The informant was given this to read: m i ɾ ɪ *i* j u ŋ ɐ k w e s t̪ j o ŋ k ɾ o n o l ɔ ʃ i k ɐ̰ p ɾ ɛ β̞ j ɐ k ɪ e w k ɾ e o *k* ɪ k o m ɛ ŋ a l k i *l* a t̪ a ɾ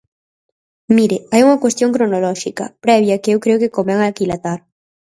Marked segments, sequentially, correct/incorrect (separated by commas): incorrect, correct, correct